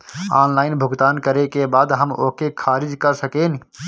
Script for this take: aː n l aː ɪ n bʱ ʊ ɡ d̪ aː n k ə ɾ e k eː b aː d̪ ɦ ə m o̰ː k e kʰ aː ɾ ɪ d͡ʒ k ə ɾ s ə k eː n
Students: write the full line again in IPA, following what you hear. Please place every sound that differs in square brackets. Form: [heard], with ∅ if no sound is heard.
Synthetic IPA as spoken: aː n l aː ɪ n bʱ ʊ ɡ [t̪] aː n k ə ɾ e k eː b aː d̪ ɦ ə m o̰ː k e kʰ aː ɾ ɪ d͡ʒ k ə ɾ s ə k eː n